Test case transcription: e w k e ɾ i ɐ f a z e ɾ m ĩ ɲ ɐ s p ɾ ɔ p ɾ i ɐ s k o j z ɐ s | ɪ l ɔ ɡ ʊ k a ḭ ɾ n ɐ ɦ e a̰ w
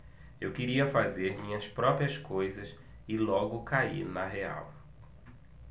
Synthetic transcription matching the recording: e w k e ɾ i ɐ f a z e ɾ m ĩ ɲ ɐ s p ɾ ɔ p ɾ i ɐ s k o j z ɐ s | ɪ l ɔ ɡ ʊ k a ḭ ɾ n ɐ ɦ e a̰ w